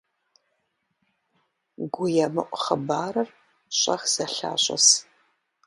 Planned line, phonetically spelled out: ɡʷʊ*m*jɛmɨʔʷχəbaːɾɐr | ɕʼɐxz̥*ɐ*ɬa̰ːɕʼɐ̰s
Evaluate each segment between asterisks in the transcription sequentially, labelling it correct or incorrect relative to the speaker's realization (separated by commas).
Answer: incorrect, correct